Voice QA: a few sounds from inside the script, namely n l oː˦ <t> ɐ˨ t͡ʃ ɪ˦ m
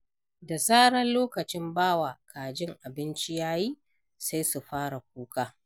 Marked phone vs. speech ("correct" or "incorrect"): incorrect